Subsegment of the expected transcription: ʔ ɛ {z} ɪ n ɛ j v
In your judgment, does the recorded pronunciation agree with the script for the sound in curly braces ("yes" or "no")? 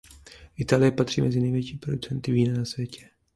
yes